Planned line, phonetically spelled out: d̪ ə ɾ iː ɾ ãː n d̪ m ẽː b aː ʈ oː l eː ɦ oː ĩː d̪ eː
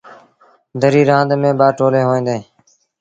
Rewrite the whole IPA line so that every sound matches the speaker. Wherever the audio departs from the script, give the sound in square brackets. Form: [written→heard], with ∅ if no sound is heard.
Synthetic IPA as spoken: d̪ ə ɾ iː ɾ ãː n d̪ m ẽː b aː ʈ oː l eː ɦ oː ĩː d̪ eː